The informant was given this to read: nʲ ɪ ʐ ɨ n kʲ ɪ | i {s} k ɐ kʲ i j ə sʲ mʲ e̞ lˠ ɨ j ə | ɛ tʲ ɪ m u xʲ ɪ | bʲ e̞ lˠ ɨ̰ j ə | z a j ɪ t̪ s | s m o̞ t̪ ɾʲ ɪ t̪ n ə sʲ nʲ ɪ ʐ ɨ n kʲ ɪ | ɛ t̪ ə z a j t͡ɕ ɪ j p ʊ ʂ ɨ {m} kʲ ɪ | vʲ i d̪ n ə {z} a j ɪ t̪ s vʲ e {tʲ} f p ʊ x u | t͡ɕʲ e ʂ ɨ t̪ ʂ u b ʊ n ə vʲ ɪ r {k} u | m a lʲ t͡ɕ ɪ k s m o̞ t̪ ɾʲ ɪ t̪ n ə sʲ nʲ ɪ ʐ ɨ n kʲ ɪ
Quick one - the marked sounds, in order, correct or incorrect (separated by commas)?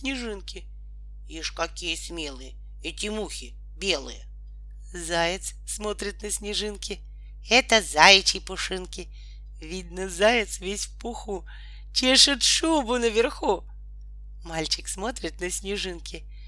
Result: incorrect, incorrect, correct, incorrect, incorrect